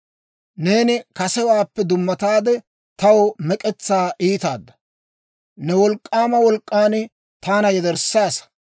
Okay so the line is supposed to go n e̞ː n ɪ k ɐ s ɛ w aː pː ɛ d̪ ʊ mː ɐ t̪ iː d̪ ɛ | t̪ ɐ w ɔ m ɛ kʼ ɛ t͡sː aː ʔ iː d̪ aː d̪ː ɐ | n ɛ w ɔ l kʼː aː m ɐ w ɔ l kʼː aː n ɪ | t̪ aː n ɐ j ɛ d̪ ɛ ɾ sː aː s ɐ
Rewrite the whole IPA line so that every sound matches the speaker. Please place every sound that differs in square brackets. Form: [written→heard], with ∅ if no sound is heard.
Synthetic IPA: n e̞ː n ɪ k ɐ s ɛ w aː pː ɛ d̪ ʊ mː ɐ t̪ [iː→aː] d̪ ɛ | t̪ ɐ w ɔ m ɛ kʼ ɛ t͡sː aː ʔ iː [d̪→t̪] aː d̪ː ɐ | n ɛ w ɔ l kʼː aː m ɐ w ɔ l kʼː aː n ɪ | t̪ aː n ɐ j ɛ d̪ ɛ ɾ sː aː s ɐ